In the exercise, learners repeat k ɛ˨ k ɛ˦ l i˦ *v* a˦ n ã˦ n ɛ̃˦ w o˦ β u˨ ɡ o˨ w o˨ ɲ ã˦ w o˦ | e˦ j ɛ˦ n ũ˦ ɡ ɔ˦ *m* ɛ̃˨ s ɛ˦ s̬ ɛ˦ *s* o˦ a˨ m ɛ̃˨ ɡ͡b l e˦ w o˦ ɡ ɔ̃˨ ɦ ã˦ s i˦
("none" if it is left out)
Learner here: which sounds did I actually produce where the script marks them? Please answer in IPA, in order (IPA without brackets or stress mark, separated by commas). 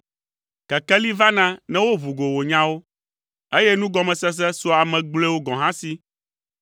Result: v, m, s